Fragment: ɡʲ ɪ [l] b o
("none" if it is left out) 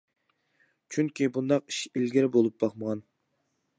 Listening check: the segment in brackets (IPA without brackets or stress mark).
ɾ